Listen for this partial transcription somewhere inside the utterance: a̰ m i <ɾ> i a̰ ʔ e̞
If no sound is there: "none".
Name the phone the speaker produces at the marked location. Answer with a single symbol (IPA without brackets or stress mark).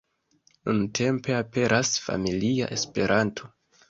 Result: l